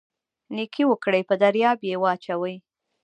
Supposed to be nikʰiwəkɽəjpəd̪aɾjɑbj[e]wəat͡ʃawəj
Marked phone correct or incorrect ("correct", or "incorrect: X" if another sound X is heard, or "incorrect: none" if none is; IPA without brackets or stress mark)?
correct